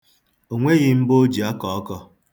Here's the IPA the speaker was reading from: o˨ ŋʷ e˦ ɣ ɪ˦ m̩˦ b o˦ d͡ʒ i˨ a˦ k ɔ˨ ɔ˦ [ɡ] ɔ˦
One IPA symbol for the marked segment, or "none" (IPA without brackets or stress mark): k